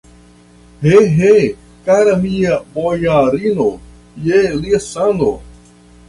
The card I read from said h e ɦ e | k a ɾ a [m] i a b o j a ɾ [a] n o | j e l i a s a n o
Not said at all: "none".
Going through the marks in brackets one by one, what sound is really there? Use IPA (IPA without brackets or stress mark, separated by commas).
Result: m, i